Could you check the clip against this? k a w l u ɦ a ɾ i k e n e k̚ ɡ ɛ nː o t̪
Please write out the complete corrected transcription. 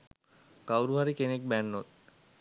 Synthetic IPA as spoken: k a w ɾ u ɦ a ɾ i k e n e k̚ b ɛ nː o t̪